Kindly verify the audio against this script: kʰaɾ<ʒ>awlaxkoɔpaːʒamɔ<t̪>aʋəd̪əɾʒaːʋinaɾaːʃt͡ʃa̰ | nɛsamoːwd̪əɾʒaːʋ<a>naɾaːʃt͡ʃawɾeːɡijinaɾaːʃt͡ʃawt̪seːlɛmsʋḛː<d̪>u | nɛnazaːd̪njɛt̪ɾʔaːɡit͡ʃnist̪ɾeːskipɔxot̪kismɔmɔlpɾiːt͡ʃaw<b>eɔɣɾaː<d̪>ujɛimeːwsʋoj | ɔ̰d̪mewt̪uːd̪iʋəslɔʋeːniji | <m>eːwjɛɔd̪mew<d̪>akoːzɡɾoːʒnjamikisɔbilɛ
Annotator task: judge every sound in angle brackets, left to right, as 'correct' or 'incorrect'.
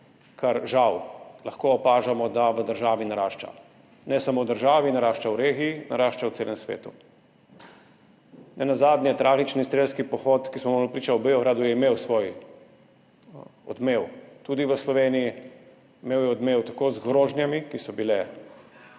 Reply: correct, incorrect, incorrect, incorrect, correct, correct, correct, incorrect

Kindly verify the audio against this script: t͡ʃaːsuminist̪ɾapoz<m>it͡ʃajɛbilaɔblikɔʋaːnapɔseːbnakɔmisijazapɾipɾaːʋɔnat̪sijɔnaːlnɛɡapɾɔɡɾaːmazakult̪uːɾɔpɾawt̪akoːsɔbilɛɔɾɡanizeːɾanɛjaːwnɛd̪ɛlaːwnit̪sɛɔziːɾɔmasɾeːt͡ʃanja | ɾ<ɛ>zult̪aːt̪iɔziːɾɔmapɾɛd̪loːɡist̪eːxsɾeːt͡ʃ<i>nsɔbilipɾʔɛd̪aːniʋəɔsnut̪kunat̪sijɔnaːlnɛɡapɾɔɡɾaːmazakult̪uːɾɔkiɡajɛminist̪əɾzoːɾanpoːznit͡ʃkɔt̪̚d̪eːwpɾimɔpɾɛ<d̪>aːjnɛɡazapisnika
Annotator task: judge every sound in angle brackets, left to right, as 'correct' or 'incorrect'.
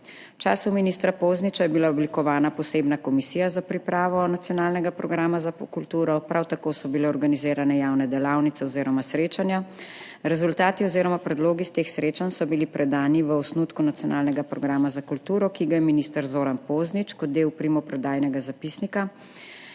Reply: incorrect, correct, incorrect, correct

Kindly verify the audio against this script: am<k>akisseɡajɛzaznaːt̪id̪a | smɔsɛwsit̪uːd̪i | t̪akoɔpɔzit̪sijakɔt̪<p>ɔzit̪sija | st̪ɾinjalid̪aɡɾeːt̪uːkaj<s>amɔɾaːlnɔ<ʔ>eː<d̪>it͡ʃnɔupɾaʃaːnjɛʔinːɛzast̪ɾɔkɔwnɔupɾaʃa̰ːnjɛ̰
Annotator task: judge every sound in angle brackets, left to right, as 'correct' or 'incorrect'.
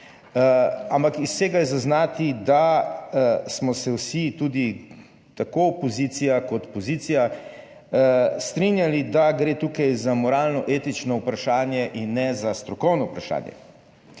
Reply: incorrect, correct, incorrect, correct, incorrect

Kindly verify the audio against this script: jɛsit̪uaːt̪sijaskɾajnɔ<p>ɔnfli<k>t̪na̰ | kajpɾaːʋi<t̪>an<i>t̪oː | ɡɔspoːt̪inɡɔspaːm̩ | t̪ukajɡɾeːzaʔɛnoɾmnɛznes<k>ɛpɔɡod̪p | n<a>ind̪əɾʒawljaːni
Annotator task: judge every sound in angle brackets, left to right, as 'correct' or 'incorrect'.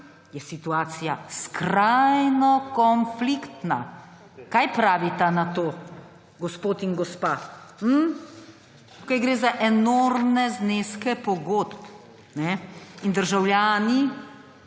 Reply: incorrect, correct, correct, incorrect, correct, incorrect

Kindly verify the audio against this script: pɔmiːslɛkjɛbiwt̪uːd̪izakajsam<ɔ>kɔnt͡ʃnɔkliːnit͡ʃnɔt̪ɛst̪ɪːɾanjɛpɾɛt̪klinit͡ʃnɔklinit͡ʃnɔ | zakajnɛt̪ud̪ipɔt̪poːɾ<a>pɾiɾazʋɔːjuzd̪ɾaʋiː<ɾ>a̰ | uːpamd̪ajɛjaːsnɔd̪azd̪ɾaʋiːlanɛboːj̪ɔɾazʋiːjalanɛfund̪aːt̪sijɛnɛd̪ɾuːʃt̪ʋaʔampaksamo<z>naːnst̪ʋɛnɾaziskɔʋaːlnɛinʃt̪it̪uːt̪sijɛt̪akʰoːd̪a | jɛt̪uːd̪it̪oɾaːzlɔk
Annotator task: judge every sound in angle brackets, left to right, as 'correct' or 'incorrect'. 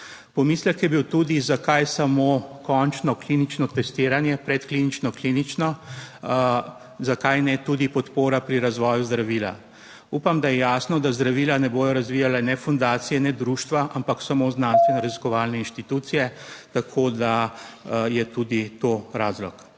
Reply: incorrect, correct, incorrect, correct

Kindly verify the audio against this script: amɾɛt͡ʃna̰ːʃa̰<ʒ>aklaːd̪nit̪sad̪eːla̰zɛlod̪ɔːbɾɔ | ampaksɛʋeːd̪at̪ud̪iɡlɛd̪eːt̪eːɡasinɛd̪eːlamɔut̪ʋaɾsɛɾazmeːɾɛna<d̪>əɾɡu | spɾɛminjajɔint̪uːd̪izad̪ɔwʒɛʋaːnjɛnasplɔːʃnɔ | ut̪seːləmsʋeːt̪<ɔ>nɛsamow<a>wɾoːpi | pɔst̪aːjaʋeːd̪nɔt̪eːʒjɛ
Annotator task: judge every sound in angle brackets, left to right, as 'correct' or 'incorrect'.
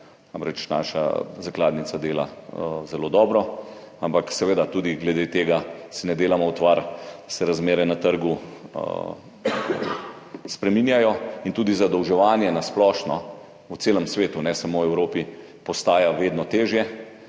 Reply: incorrect, incorrect, incorrect, incorrect

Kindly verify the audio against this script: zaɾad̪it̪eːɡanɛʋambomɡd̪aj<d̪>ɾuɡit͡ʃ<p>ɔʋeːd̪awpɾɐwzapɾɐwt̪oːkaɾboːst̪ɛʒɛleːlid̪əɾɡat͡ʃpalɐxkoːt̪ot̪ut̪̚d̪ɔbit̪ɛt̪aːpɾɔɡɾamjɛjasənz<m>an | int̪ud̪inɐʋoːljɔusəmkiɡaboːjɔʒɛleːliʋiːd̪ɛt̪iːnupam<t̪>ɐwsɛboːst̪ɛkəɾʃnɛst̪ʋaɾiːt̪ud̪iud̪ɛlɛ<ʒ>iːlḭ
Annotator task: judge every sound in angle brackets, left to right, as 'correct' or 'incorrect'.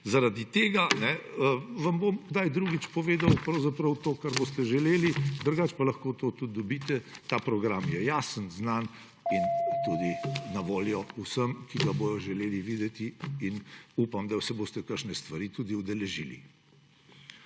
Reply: correct, correct, incorrect, incorrect, correct

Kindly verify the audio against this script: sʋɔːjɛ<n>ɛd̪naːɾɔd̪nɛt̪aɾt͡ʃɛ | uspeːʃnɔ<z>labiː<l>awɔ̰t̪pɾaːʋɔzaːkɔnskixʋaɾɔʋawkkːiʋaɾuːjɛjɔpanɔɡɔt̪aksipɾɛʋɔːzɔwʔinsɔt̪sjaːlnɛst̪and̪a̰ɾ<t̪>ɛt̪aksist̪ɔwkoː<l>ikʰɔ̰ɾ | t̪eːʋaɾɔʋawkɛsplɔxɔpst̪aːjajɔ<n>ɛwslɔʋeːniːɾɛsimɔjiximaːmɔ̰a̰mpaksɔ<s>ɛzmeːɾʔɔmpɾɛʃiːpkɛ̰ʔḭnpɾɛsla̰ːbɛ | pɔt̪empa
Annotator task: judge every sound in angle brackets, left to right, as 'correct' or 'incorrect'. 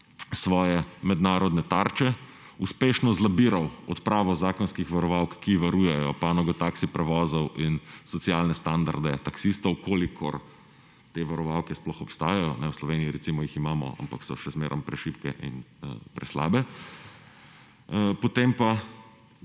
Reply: incorrect, correct, incorrect, incorrect, correct, correct, incorrect

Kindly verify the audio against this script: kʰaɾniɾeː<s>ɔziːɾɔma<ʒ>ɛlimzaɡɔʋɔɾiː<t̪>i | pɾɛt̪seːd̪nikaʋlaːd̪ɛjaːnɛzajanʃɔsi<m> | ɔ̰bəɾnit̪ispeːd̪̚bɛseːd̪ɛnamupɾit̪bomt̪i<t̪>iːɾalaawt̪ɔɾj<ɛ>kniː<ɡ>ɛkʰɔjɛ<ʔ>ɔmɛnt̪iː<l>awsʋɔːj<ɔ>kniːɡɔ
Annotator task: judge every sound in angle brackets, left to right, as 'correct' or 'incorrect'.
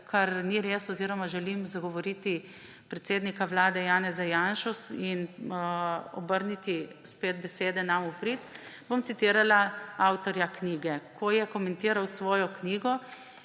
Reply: correct, correct, correct, incorrect, correct, incorrect, correct, incorrect, incorrect, correct

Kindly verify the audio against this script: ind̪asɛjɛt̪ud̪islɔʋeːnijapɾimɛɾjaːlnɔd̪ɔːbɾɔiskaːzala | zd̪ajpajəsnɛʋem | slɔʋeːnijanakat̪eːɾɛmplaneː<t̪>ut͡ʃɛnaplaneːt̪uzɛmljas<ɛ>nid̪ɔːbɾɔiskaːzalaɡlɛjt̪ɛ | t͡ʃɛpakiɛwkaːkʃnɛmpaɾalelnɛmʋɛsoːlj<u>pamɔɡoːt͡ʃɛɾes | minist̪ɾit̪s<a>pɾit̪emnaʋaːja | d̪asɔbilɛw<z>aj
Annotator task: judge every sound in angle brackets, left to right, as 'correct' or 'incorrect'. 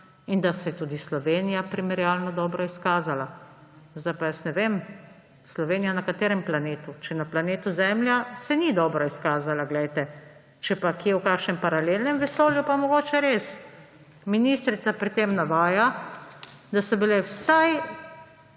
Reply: correct, correct, correct, correct, incorrect

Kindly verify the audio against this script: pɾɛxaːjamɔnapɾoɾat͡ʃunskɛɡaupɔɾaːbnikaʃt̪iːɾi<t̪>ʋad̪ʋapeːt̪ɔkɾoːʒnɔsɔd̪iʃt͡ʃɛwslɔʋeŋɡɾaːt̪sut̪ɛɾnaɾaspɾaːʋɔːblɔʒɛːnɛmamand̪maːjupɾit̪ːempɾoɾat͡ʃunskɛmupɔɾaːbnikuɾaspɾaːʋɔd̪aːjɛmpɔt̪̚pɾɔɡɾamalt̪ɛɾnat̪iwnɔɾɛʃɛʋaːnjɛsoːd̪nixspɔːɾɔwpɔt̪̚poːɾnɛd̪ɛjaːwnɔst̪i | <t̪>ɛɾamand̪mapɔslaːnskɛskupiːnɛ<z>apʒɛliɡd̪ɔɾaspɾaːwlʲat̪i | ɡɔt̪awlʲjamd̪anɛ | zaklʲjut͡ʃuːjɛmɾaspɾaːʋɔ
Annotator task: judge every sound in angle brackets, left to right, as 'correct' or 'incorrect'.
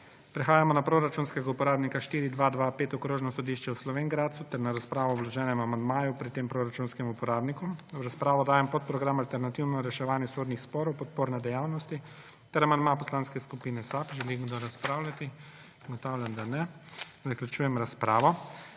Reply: incorrect, correct, incorrect

